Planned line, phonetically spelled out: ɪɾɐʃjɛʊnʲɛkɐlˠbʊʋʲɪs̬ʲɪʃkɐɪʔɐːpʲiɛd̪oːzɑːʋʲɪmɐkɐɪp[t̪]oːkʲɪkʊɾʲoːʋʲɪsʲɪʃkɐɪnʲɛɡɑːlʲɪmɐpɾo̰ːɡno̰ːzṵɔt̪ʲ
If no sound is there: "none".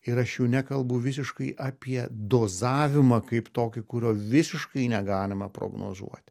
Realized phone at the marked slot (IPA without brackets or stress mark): t̪